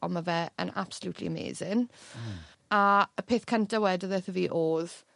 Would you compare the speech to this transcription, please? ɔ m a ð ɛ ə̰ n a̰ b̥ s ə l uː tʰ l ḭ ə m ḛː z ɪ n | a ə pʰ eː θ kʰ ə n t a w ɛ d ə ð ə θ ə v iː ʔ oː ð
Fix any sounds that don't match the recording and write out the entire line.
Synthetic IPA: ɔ m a v ɛ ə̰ n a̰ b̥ s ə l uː tʰ l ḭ ə m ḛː z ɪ n | a ə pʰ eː θ kʰ ə n t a w ɛ d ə ð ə θ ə v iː ʔ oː ð